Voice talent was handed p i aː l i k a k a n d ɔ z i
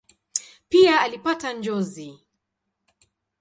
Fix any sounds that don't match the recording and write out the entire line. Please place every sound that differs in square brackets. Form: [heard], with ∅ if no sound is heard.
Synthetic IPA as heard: p i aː l i [p] a [t] a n [d͡ʒ] ɔ z i